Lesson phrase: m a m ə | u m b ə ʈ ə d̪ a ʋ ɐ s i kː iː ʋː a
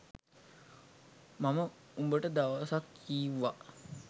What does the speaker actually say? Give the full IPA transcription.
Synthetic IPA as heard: m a m ə | u m b ə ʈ ə d̪ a ʋ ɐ s a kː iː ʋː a